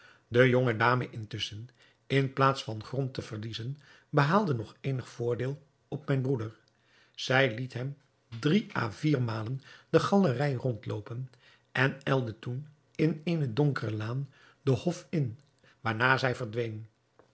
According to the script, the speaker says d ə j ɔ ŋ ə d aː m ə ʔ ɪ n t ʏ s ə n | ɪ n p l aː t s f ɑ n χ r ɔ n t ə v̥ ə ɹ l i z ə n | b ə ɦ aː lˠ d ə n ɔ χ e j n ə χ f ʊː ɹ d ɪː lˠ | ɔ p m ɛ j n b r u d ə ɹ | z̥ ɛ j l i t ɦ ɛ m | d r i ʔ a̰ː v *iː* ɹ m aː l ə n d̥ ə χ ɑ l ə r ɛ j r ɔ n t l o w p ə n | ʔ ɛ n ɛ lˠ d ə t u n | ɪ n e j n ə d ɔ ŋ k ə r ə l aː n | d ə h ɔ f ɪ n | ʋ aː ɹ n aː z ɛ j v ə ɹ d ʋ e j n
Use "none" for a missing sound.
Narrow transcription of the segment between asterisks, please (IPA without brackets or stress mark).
iː